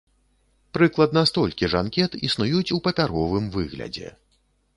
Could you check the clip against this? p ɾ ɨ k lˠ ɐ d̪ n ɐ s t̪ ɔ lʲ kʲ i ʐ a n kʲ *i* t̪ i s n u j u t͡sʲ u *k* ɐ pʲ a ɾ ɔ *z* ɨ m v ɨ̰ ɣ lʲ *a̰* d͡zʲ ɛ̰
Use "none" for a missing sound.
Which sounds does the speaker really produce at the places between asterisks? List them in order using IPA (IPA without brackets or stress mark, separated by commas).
ɛ, p, v, ɐ̰